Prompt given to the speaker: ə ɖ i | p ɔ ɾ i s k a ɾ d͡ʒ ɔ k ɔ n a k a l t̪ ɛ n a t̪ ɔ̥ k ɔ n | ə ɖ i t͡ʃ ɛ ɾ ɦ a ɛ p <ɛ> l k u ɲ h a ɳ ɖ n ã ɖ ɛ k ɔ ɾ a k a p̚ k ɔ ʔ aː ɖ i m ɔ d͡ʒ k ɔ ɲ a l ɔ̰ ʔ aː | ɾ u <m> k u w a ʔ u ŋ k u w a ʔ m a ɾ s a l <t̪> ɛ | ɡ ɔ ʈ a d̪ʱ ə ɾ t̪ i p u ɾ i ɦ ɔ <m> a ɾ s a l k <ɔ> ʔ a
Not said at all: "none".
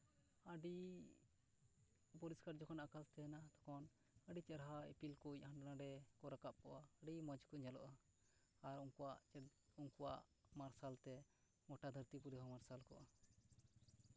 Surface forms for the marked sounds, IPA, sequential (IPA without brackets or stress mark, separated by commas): i, ŋ, t̪, m, ɔ